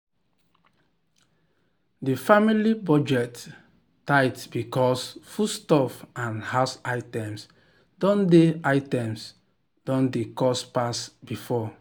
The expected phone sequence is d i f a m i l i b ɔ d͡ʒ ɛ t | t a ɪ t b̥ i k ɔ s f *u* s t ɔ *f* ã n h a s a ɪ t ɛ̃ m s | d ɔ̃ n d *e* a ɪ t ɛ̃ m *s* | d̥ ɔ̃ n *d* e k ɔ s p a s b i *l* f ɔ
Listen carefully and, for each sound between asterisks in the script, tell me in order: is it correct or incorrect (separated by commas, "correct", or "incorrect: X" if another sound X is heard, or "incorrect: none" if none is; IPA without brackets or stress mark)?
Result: correct, correct, correct, correct, correct, incorrect: none